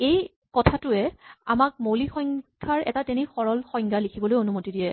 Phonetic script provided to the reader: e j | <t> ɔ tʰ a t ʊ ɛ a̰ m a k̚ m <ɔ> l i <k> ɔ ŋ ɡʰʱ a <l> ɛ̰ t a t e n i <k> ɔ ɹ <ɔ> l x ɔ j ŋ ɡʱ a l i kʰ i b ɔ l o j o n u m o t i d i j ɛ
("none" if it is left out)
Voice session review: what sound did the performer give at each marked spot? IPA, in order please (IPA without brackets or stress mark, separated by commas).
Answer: k, o, x, ɹ, x, ɔ